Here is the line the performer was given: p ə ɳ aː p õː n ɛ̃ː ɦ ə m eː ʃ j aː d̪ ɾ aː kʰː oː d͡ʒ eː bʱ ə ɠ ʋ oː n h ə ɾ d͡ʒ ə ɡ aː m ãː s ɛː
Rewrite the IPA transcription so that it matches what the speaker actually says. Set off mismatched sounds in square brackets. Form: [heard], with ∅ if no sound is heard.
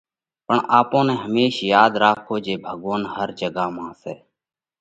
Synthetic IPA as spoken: p ə ɳ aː p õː n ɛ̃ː ɦ ə m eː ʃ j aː d̪ ɾ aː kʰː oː d͡ʒ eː bʱ ə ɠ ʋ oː n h ə ɾ d͡ʒ ə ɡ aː m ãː s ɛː